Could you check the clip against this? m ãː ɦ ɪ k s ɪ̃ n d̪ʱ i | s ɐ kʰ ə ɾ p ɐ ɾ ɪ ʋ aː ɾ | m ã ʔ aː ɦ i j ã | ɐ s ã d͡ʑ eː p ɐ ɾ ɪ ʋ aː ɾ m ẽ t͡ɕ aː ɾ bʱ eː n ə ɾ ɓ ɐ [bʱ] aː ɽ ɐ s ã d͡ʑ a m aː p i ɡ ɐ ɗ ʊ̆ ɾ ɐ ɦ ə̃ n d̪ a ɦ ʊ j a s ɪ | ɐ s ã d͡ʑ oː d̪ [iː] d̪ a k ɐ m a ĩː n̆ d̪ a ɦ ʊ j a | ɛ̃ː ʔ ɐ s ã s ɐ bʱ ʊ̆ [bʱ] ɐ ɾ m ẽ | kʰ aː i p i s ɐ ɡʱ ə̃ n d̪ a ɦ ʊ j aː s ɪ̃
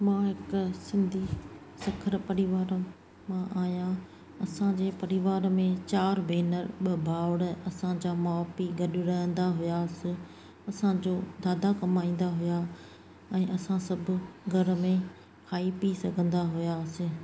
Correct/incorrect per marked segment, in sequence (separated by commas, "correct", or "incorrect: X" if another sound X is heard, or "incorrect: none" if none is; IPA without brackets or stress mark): correct, incorrect: aː, incorrect: ɡʱ